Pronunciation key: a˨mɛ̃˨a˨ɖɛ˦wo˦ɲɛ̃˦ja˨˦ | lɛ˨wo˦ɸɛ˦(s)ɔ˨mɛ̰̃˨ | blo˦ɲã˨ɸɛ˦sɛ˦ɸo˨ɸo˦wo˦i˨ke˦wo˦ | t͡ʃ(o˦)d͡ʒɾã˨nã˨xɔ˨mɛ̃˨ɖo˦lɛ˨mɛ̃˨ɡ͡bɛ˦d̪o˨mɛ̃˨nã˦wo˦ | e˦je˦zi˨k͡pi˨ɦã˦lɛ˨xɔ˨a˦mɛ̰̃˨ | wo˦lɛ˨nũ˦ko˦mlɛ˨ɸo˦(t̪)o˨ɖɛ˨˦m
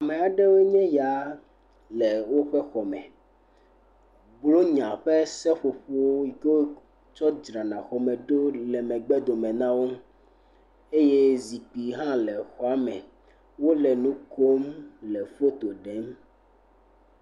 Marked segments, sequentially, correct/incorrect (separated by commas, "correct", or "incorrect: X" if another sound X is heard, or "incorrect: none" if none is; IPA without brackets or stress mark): incorrect: x, incorrect: ɔ˦, correct